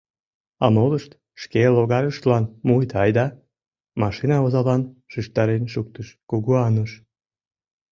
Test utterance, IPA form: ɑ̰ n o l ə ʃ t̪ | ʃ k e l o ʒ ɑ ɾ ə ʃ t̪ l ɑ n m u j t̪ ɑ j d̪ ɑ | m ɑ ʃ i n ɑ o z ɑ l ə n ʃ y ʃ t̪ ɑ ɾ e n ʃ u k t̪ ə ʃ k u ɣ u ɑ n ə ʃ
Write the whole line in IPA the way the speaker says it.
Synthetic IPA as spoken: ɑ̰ m o l ə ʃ t̪ | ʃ k e l o ɣ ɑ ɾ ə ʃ t̪ l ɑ n m u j t̪ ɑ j d̪ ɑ | m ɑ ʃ i n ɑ o z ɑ l ɑ n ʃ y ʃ t̪ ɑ ɾ e n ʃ u k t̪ ə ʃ k u ɣ u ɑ n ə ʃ